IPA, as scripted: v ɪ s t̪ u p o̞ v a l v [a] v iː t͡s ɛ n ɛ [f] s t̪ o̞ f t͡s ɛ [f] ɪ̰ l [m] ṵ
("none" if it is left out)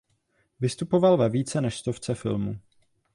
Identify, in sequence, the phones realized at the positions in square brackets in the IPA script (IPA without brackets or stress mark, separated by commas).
ɛ, ʃ, f, m